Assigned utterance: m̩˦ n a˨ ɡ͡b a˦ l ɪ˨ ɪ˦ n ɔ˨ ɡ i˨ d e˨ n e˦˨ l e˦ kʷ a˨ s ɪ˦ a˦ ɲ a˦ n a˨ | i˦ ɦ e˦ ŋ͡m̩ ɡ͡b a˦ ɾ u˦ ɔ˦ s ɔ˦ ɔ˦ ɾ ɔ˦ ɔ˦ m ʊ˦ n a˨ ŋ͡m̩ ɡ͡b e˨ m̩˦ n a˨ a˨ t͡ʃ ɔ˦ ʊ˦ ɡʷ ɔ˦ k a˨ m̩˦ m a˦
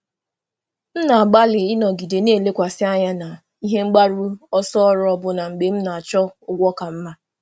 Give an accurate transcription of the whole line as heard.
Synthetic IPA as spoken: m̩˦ n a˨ ɡ͡b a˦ l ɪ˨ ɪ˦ n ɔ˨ ɡ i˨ d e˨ n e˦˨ l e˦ kʷ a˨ s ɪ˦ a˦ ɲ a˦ n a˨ | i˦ ɦ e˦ ŋ͡m̩ ɡ͡b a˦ ɾ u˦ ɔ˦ s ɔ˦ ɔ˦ ɾ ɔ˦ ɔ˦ b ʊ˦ n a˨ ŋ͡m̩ ɡ͡b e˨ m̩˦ n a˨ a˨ t͡ʃ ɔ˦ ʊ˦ ɡʷ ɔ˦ k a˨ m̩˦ m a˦